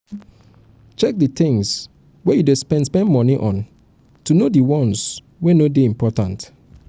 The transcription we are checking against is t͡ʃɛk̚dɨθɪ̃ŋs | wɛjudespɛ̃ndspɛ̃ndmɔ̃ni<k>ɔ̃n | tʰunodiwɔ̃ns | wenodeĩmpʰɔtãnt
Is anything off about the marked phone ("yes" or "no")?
yes